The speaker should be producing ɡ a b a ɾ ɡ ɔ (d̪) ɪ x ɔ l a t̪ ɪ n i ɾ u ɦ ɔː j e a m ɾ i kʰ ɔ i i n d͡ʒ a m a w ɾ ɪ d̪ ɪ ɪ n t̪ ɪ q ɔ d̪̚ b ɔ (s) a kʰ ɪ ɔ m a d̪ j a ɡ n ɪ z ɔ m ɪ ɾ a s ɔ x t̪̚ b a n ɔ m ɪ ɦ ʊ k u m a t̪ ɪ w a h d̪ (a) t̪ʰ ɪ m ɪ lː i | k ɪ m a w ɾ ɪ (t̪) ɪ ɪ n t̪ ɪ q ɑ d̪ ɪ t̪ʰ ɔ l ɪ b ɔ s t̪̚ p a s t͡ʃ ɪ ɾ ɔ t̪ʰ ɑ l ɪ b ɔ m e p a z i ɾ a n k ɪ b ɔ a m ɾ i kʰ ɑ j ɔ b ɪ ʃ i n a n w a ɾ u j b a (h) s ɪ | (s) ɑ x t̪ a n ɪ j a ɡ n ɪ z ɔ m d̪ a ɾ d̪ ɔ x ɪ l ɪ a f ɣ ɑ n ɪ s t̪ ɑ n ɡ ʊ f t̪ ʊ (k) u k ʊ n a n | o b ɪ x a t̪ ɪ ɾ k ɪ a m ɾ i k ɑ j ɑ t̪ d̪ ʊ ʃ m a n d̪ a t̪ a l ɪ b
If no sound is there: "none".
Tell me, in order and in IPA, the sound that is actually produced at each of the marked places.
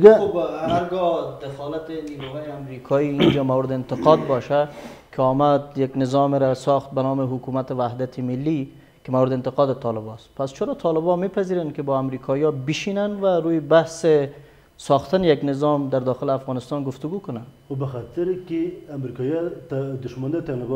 d̪, ʃ, a, d̪, h, s, ɡ

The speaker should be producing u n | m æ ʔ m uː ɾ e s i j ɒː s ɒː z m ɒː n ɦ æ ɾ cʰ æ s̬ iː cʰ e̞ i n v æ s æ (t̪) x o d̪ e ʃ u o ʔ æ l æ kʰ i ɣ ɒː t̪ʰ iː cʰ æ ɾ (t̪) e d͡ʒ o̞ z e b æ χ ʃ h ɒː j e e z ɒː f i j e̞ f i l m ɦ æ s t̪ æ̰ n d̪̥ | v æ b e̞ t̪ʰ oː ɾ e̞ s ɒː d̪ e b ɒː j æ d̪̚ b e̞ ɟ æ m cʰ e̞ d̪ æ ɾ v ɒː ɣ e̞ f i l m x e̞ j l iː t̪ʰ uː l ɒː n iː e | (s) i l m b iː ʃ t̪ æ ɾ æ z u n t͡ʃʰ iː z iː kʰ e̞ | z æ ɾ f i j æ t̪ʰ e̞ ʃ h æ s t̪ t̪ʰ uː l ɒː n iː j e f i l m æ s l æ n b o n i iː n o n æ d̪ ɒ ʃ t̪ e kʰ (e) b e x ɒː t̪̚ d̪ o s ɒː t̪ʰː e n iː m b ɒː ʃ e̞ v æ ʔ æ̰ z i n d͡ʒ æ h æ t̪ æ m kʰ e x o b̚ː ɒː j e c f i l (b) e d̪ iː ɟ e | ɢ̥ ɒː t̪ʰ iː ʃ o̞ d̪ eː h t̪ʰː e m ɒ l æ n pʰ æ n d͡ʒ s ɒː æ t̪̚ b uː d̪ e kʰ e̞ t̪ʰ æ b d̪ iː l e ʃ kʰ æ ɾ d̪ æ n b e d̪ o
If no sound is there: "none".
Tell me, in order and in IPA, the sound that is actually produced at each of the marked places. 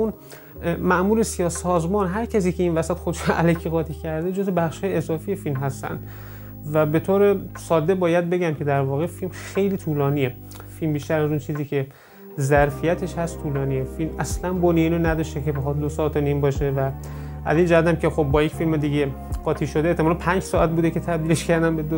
t̪, d̪, f, e, m

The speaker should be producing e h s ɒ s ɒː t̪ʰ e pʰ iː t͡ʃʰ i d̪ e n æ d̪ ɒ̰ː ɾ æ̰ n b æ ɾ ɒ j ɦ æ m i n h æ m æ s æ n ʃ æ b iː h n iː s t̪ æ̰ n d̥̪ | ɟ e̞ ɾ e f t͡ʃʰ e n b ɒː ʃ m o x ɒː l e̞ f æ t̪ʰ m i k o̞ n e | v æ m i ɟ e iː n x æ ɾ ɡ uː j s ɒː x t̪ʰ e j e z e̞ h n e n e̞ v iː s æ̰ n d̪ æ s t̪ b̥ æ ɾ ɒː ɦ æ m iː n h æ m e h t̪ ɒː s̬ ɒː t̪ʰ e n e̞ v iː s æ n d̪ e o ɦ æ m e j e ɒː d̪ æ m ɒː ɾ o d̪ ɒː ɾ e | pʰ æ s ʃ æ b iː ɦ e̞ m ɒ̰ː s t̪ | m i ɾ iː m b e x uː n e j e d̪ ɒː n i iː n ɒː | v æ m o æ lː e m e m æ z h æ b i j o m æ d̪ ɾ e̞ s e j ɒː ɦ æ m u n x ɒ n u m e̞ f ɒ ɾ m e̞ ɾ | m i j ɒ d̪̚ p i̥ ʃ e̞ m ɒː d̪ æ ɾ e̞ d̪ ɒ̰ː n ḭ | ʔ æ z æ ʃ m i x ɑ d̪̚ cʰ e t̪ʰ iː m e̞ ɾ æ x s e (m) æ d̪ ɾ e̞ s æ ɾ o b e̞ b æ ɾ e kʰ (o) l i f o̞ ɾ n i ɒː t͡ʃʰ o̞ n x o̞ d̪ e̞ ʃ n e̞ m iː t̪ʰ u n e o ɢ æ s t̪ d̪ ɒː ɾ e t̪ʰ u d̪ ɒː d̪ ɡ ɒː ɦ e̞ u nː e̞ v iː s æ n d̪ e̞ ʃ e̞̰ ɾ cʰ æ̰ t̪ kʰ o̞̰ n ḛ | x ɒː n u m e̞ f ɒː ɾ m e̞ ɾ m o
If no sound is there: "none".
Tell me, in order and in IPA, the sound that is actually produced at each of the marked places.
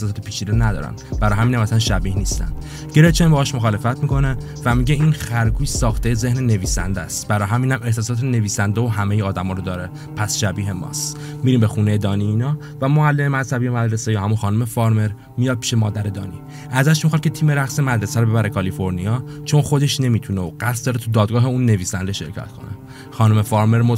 m, ɒ

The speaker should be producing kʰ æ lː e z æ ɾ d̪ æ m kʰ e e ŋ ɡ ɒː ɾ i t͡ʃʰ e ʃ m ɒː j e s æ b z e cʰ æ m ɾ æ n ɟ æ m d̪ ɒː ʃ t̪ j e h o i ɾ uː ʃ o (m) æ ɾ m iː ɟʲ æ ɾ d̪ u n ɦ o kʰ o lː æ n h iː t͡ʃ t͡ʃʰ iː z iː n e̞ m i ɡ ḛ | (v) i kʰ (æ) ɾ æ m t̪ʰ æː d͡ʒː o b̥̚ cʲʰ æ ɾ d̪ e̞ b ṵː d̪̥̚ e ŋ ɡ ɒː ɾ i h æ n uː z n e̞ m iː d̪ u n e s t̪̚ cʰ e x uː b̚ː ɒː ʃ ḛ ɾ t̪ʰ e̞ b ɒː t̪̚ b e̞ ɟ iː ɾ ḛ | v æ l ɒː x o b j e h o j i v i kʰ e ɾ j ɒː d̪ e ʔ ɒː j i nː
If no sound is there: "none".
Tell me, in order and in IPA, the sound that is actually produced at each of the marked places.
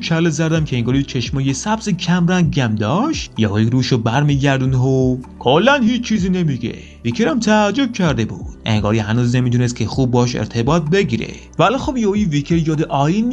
b, v, e

